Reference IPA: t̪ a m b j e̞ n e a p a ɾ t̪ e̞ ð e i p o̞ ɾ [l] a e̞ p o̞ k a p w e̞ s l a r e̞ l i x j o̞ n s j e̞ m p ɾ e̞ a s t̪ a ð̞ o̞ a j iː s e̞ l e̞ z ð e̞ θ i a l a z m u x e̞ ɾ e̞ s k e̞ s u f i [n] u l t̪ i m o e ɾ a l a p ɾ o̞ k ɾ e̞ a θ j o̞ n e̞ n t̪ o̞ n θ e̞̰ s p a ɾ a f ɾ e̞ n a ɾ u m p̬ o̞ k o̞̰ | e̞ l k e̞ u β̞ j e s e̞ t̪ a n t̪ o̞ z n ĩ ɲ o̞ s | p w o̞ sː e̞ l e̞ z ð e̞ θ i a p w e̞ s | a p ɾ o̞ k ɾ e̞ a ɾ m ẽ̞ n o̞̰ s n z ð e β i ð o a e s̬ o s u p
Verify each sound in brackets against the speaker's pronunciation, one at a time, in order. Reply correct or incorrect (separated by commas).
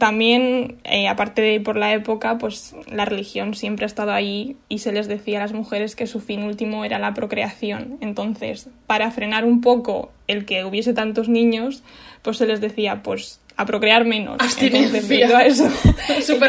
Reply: correct, correct